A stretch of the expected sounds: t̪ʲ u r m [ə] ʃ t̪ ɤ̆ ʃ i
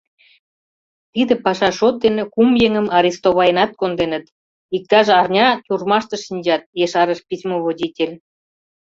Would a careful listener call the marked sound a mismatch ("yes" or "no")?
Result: yes